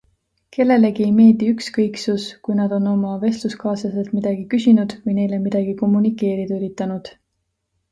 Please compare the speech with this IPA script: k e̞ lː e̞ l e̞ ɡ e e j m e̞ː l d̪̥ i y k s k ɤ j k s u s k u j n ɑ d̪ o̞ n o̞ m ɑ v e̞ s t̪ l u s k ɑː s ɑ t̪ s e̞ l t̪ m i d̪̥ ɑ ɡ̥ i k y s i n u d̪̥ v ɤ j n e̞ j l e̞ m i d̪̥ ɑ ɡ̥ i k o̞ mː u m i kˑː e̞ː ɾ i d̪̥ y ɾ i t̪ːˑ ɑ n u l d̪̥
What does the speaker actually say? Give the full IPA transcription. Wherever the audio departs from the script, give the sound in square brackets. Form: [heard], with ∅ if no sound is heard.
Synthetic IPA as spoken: k e̞ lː e̞ l e̞ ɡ [i] e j m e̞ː l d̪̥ i y k s k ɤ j k s u s k u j n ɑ d̪ o̞ n o̞ m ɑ v e̞ s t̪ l u s k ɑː s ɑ [∅] s e̞ l t̪ m i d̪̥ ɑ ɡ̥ i k y s i n u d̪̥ v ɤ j n e̞ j l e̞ m i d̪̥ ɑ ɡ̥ i k o̞ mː u [n] i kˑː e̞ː ɾ i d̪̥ y ɾ i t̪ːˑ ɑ n u [∅] d̪̥